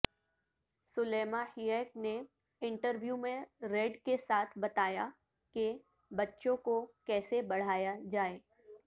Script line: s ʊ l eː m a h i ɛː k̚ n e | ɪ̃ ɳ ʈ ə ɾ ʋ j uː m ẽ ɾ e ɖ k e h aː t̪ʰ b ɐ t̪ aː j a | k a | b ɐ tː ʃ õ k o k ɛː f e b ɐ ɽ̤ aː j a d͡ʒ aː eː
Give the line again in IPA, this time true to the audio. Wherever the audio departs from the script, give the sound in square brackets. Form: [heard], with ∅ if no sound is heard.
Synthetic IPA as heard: s ʊ l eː m a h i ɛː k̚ n e | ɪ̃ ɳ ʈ ə ɾ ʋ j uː m ẽ ɾ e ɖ k e [s] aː t̪ʰ b ɐ t̪ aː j a | k [e] | b ɐ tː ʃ õ k o k ɛː [s] e b ɐ ɽ̤ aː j a d͡ʒ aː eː